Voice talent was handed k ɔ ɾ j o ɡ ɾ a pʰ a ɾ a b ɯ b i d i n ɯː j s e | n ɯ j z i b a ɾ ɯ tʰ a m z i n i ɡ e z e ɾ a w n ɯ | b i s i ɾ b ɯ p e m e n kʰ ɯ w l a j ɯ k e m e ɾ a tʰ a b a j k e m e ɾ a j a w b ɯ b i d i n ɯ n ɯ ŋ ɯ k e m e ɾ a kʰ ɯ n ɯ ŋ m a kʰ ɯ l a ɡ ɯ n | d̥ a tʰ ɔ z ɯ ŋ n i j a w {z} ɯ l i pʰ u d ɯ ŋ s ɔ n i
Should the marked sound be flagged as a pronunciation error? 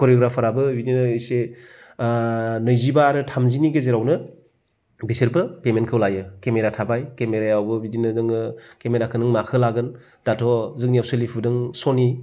yes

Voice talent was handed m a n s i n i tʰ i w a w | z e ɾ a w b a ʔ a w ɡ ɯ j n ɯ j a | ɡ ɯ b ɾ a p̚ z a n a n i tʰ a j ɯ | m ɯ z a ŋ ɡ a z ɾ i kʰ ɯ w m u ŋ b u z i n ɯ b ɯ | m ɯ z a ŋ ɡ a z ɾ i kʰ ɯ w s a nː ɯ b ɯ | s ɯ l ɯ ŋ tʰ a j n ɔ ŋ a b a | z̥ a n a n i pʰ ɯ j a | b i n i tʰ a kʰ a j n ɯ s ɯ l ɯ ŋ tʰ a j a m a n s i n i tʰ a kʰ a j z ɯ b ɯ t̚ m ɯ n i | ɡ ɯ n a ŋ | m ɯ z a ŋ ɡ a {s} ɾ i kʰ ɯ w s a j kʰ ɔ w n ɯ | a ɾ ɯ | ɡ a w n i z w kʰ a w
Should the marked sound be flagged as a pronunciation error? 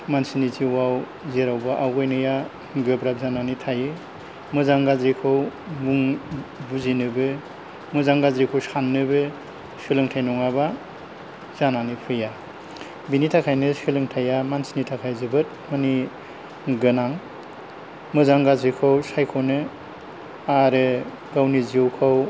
yes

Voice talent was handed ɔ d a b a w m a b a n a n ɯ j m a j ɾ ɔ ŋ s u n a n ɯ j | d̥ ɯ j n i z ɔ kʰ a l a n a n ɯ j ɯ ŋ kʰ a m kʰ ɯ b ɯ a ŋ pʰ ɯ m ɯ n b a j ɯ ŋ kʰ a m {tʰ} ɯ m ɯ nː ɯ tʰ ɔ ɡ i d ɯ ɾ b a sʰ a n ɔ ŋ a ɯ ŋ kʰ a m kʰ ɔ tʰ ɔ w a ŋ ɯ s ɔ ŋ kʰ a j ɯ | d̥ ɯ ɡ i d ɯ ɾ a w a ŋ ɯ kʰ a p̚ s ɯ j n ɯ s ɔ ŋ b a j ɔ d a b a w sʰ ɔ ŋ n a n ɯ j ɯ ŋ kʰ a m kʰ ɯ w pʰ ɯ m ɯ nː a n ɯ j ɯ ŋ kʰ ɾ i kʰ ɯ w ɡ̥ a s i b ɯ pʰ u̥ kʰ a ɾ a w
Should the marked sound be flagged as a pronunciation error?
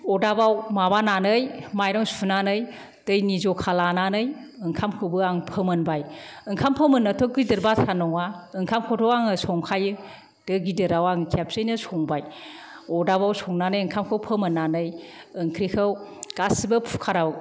yes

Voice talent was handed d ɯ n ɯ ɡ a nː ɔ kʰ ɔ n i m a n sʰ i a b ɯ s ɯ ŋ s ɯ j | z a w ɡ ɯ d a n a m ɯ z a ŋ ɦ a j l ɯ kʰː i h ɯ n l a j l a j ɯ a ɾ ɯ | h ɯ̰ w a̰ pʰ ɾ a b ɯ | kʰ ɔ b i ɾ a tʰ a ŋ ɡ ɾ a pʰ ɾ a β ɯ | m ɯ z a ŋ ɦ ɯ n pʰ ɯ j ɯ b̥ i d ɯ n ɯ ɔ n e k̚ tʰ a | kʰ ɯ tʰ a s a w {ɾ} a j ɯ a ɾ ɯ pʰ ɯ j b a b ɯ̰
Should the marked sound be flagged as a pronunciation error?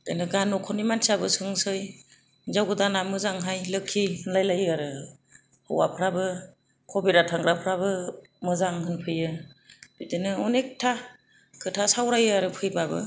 no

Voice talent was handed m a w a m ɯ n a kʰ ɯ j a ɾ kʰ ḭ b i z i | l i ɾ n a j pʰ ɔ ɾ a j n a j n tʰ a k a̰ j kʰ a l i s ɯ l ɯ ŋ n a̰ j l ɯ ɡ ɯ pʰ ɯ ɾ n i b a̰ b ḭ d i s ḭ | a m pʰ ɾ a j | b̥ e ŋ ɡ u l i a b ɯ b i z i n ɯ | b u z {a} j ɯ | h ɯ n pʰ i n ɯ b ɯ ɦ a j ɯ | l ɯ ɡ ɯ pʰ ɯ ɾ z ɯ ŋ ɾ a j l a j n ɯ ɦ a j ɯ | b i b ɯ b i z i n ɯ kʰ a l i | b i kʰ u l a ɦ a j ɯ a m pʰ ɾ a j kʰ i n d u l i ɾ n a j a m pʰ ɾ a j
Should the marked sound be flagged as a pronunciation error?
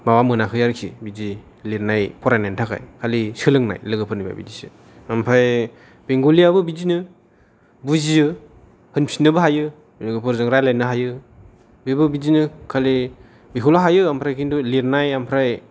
yes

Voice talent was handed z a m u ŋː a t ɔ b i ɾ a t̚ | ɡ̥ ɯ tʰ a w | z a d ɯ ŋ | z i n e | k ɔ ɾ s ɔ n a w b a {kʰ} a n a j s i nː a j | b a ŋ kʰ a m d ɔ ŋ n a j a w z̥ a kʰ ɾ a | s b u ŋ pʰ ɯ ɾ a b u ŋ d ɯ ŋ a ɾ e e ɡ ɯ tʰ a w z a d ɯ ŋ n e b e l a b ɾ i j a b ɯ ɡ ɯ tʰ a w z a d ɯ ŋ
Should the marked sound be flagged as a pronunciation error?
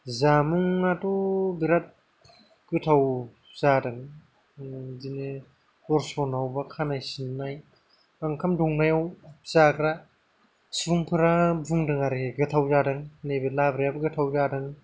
no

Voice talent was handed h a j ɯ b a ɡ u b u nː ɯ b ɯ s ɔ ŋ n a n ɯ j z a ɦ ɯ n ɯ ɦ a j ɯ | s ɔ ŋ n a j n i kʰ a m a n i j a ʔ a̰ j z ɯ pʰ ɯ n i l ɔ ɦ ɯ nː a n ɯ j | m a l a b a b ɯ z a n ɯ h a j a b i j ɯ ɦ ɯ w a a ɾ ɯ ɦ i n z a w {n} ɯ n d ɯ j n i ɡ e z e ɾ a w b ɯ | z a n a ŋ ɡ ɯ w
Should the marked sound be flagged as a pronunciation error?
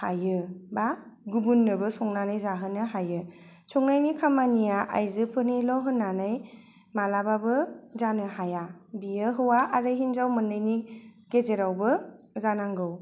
yes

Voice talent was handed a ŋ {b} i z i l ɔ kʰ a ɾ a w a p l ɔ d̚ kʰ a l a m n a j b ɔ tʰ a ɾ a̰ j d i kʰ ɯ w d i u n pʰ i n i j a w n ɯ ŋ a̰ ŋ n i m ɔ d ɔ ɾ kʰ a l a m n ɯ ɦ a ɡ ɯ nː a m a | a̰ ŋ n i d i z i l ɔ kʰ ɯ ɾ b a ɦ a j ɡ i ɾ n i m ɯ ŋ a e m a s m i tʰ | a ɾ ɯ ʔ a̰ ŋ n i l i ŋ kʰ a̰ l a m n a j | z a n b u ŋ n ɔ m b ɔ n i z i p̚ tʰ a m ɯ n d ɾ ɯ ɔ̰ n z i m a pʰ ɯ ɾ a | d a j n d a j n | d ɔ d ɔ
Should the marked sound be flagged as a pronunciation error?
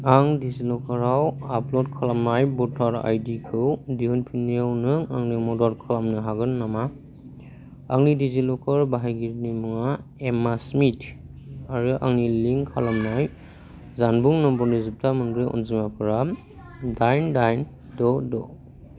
yes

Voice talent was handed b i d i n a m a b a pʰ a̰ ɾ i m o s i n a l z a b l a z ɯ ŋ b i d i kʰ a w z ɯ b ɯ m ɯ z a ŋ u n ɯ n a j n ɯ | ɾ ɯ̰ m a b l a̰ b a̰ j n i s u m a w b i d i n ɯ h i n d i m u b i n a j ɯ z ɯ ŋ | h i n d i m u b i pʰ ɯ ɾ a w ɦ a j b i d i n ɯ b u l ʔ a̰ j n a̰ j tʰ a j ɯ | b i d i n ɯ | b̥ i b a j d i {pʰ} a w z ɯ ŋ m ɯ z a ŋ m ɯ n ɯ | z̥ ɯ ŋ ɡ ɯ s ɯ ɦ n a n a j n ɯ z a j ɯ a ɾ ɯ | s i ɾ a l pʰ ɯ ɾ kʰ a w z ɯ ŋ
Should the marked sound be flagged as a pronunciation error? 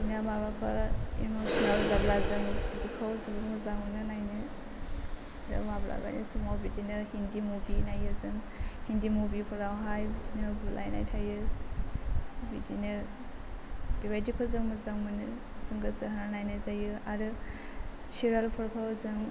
yes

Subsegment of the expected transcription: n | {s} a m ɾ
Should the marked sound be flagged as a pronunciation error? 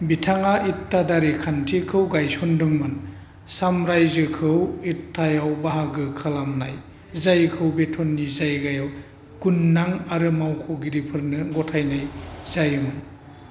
no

